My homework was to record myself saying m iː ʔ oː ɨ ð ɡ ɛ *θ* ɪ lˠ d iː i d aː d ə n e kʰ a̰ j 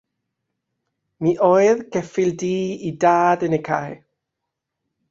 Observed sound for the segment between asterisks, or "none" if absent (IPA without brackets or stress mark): f